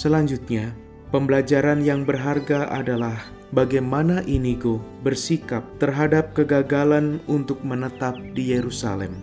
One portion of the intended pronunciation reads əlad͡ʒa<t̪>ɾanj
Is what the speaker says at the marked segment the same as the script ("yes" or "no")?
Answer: no